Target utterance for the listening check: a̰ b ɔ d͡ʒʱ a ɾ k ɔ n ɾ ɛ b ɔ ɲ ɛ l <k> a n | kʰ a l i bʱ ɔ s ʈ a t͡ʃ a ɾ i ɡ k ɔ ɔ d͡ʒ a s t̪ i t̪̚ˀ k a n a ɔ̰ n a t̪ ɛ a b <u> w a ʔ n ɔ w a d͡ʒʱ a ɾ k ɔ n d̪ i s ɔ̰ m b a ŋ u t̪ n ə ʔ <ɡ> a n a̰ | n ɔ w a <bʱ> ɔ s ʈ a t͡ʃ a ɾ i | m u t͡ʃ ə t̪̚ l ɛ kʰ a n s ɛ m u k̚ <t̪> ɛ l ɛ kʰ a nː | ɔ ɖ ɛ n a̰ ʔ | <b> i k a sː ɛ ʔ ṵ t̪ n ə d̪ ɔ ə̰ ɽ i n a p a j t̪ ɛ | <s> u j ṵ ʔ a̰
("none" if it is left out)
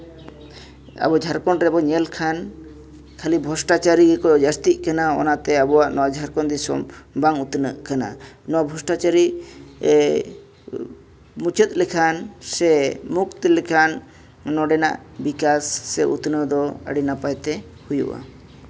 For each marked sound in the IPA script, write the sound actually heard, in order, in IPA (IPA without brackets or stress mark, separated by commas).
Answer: kʰ, ɔ, k, bʱ, t̪, b, h